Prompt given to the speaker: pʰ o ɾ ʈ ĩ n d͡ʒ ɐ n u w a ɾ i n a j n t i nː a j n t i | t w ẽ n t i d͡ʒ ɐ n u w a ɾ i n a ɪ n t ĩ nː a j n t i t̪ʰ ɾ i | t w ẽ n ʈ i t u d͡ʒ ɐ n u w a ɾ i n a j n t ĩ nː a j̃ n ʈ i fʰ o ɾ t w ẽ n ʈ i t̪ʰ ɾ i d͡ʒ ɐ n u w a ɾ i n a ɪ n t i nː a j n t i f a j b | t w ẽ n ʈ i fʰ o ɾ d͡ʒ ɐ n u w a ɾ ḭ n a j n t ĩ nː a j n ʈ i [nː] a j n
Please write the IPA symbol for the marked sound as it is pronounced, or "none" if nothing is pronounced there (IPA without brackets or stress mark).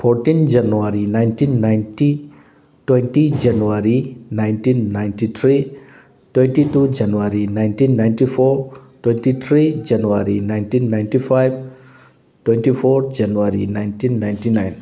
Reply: n